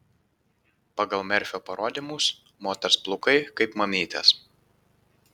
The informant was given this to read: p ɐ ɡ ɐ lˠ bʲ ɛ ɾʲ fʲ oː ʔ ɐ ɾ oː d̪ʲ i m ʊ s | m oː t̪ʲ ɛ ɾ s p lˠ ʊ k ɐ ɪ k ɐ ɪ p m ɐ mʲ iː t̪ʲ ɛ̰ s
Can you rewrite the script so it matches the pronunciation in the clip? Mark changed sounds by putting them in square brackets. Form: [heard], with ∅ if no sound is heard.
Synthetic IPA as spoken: p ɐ ɡ ɐ lˠ [mʲ] ɛ ɾʲ fʲ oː [p] ɐ ɾ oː d̪ʲ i m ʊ s | m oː t̪ʲ ɛ ɾ s p lˠ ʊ k ɐ ɪ k ɐ ɪ p m ɐ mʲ iː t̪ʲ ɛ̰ s